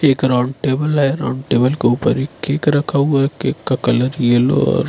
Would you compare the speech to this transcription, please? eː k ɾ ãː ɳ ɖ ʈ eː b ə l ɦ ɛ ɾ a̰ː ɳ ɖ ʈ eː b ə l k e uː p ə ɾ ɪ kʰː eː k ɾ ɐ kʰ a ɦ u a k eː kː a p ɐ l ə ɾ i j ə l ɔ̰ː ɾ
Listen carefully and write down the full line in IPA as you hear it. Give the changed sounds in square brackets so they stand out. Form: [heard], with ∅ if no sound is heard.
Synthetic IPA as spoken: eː k ɾ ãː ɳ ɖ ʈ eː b ə l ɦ ɛ ɾ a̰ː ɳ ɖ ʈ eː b ə l k e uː p ə ɾ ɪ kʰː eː k ɾ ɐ kʰ a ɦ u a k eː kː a [k] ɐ l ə ɾ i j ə l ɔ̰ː ɾ